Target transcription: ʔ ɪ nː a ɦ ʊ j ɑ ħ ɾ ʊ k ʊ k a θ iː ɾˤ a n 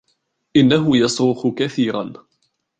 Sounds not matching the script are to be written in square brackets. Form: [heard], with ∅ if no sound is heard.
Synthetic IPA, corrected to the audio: ʔ ɪ nː a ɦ ʊ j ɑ [s] ɾ ʊ [x] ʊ k a θ iː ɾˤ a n